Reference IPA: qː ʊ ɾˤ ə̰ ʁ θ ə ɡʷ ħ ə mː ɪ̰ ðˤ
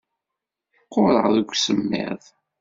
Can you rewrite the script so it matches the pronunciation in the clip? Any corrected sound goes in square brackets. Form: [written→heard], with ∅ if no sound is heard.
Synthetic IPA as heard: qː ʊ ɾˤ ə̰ ʁ [θ→ð] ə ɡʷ [ħ→s] ə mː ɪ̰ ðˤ